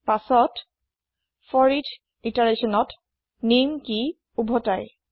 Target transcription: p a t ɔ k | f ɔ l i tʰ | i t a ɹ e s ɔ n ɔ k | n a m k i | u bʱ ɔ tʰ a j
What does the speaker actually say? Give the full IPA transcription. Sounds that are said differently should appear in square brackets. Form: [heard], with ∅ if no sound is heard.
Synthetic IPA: p a [s] ɔ [t] | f ɔ [ɹ] i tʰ | i t a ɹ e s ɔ n ɔ [t] | n [i] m k i | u bʱ ɔ [t] a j